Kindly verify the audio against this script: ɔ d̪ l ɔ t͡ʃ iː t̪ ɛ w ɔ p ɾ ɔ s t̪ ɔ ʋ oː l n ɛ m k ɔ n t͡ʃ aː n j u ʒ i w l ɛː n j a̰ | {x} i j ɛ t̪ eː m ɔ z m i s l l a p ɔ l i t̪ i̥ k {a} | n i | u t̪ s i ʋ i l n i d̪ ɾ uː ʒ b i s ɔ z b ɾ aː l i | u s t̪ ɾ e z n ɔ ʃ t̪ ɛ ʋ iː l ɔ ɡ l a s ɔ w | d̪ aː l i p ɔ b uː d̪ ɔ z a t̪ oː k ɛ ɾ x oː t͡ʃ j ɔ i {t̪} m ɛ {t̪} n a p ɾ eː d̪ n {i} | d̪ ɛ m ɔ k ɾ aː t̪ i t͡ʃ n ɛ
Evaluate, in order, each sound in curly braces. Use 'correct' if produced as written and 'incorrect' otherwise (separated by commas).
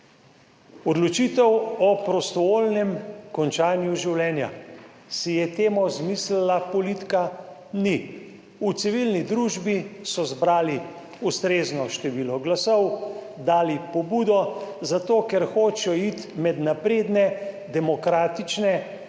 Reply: incorrect, correct, correct, incorrect, incorrect